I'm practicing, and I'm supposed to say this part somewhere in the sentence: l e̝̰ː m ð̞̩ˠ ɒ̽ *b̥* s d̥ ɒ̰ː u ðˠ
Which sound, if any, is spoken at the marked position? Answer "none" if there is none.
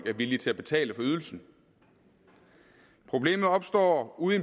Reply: b̥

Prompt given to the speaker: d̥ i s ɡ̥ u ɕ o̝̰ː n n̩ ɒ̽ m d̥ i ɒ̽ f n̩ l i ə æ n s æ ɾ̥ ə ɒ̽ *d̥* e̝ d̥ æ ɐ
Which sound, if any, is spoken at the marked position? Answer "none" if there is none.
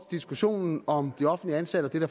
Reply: d̥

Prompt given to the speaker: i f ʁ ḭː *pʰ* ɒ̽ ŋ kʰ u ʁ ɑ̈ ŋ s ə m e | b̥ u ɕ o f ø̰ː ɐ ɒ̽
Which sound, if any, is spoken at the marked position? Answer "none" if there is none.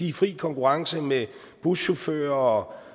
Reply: kʰ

